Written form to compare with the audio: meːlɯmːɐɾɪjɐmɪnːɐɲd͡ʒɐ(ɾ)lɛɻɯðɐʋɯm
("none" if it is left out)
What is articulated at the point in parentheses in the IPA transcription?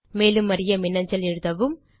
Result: none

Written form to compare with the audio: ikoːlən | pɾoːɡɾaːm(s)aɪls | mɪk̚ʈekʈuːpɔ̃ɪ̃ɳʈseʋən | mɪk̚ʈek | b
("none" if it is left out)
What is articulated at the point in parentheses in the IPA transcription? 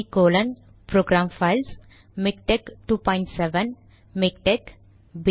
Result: f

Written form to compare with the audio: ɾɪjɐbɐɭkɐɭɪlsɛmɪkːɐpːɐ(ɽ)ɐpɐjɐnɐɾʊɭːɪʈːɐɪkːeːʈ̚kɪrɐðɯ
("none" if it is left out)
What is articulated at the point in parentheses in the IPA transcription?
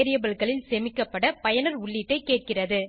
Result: ɽ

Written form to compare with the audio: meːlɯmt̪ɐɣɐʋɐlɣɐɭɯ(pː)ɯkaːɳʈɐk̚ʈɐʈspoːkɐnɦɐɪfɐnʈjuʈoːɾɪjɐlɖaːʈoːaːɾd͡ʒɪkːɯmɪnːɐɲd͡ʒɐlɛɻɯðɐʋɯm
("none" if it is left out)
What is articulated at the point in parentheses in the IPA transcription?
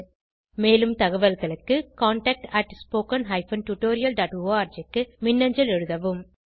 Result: kː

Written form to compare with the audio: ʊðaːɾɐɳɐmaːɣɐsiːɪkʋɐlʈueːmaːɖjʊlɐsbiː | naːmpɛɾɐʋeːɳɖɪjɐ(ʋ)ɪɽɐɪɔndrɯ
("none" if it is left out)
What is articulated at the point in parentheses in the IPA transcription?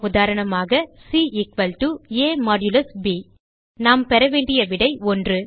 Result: ʋ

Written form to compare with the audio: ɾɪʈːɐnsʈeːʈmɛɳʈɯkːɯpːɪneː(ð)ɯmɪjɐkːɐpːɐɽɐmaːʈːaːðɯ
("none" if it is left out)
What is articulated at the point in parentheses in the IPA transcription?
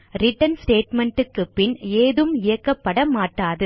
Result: ð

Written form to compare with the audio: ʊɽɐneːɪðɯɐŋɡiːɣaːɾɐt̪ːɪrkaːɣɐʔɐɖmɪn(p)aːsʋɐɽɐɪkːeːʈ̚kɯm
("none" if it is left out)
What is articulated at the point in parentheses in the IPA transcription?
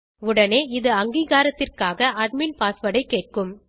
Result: p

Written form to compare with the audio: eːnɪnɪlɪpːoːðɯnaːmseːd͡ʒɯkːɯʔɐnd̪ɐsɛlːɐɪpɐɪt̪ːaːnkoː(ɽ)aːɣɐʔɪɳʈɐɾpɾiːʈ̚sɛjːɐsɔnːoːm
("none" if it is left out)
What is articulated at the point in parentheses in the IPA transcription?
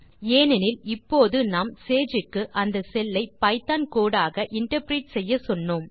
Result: ɽ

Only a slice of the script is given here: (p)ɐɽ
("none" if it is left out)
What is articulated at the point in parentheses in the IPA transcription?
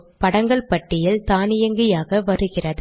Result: p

